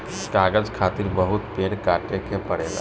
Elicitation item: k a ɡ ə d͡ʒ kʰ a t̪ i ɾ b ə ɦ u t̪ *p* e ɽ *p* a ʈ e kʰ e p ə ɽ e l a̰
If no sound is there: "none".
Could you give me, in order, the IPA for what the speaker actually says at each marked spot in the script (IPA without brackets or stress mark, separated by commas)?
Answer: p, k